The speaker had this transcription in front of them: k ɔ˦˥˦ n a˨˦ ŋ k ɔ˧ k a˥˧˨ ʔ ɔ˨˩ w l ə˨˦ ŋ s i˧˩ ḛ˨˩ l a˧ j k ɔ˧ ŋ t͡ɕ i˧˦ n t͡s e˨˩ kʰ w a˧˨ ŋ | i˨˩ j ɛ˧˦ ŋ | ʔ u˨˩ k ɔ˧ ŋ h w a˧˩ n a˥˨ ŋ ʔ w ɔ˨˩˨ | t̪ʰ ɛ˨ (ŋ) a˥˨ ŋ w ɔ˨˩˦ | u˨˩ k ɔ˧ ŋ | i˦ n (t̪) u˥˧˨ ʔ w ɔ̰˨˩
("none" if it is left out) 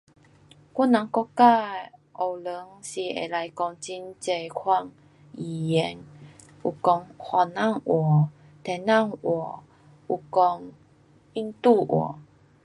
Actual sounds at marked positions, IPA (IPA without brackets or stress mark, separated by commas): n, t̪